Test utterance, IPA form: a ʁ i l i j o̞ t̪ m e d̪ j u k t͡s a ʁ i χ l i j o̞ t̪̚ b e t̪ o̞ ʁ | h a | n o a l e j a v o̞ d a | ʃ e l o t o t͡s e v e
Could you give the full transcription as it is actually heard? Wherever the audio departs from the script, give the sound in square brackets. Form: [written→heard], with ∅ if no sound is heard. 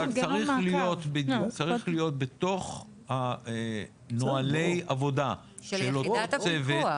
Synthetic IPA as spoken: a ʁ i l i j o̞ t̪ [m→b] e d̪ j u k t͡s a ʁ i χ l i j o̞ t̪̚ b e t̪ o̞ [ʁ→χ] | h a | n o a l e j a v o̞ d a | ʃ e l o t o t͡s e v e